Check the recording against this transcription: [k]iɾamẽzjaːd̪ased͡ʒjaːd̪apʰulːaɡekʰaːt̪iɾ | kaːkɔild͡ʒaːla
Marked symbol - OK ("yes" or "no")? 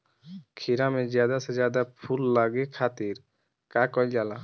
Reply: no